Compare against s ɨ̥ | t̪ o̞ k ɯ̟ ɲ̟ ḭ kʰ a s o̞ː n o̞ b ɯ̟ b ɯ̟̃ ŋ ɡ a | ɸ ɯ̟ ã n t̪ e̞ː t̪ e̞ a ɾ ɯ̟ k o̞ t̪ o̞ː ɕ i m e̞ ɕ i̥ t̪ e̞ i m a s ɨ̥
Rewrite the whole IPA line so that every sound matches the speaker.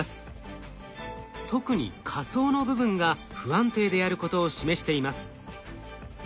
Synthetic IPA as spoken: s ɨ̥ | t̪ o̞ k ɯ̟ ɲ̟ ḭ kʰ a s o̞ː n o̞ b ɯ̟ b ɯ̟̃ ŋ ɡ a | ɸ ɯ̟ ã n t̪ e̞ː d̪ e̞ a ɾ ɯ̟ k o̞ t̪ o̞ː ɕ i m e̞ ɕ i̥ t̪ e̞ i m a s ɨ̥